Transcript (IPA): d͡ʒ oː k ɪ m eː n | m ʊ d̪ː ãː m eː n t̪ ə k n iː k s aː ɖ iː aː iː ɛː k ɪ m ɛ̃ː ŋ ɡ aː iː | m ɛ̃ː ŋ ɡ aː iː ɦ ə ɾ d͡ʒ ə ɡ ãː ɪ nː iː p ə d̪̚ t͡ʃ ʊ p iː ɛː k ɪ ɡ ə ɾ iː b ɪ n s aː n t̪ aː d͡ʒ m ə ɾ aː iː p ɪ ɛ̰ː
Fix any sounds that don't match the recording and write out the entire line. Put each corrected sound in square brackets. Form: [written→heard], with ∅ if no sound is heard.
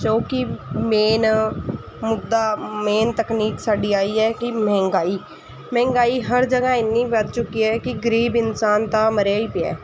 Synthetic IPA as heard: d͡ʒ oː k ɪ m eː n | m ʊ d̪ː [ãː→aː] m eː n t̪ ə k n iː k s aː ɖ iː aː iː ɛː k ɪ m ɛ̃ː ŋ ɡ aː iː | m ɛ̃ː ŋ ɡ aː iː ɦ ə ɾ d͡ʒ ə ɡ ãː ɪ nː iː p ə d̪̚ t͡ʃ ʊ [p→k] iː ɛː k ɪ ɡ ə ɾ iː b ɪ n s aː n t̪ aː [d͡ʒ→∅] m ə ɾ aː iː p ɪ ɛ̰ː